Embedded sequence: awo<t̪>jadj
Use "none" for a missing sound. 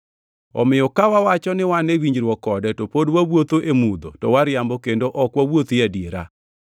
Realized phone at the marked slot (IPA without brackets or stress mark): t̪